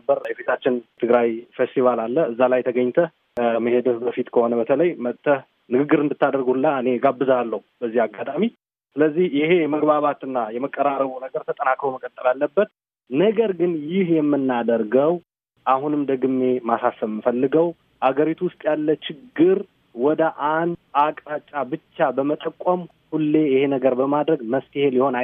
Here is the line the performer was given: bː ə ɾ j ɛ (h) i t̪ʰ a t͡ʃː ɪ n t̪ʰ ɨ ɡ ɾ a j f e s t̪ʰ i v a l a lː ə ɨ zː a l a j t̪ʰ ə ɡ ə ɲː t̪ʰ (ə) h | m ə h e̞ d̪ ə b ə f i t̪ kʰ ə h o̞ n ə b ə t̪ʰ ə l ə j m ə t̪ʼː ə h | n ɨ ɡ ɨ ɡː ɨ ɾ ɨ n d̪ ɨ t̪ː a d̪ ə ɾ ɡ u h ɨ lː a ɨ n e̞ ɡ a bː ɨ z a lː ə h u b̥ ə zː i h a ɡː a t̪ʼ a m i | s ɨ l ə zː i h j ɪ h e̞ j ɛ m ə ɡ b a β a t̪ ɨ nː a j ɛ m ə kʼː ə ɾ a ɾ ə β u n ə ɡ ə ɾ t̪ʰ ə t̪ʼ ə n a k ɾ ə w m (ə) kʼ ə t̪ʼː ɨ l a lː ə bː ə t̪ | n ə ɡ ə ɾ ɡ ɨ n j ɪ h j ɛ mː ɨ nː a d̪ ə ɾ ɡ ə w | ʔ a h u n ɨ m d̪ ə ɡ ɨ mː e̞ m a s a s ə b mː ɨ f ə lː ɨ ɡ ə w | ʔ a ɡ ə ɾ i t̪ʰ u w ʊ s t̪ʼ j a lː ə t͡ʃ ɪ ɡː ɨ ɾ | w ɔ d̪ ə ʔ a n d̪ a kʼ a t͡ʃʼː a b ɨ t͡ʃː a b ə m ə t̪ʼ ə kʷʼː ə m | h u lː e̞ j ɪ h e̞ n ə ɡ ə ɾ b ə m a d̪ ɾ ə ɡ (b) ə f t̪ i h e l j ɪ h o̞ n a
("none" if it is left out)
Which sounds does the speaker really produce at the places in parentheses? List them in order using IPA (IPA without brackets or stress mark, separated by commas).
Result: f, ə, ə, m